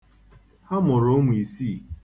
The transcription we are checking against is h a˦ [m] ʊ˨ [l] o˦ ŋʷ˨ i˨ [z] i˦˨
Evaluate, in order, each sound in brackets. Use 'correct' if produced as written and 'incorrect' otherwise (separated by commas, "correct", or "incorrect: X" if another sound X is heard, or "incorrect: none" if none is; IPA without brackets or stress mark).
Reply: correct, incorrect: ɾ, incorrect: s